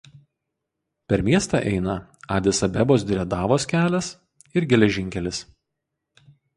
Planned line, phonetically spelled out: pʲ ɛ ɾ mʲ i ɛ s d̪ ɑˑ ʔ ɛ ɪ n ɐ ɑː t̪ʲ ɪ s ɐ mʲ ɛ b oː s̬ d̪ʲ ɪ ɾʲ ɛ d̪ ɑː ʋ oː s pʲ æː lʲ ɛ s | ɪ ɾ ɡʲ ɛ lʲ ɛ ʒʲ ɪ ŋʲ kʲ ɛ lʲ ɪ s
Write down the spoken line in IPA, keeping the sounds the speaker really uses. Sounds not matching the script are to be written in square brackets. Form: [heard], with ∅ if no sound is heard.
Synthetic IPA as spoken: pʲ ɛ ɾ mʲ i ɛ s [t̪] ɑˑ ʔ ɛ ɪ n ɐ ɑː [d̪ʲ] ɪ s ɐ [bʲ] ɛ b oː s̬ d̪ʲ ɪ ɾʲ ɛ d̪ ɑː ʋ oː s [kʲ] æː lʲ ɛ s | ɪ ɾ ɡʲ ɛ lʲ ɛ ʒʲ ɪ ŋʲ kʲ ɛ lʲ ɪ s

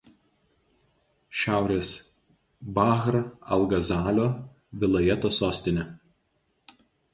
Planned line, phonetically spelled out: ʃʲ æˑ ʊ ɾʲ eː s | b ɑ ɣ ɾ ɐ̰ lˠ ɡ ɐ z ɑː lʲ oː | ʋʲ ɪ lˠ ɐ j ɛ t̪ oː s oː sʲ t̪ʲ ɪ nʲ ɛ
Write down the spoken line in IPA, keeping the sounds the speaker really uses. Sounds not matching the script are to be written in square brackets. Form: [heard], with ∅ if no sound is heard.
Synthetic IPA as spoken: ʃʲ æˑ ʊ ɾʲ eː s | b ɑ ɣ ɾ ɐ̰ lˠ ɡ ɐ z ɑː lʲ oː | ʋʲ ɪ lˠ ɐ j ɛ t̪ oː s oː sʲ t̪ʲ ɪ nʲ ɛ

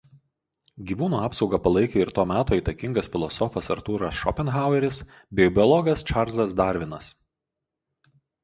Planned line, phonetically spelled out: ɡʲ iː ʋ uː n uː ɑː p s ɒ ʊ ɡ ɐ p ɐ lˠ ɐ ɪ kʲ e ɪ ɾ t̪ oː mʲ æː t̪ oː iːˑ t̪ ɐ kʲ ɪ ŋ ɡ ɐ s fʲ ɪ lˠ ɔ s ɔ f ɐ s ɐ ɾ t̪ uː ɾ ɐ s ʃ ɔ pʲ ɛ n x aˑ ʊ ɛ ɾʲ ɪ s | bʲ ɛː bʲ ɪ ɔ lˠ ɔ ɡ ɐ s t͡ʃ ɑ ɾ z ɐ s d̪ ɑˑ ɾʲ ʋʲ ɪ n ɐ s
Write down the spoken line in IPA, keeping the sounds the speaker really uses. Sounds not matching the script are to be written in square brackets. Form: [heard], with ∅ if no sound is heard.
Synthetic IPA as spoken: ɡʲ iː ʋ uː n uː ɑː p s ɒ ʊ ɡ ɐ p ɐ lˠ ɐ ɪ kʲ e ɪ ɾ t̪ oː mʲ æː t̪ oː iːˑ t̪ ɐ kʲ ɪ ŋ ɡ ɐ s fʲ ɪ lˠ ɔ s ɔ f ɐ s ɐ ɾ t̪ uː ɾ ɐ s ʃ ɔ pʲ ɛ n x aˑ ʊ ɛ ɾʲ ɪ s | bʲ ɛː bʲ ɪ ɔ lˠ ɔ ɡ ɐ s t͡ʃ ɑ ɾ z ɐ s d̪ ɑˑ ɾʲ ʋʲ ɪ n ɐ s

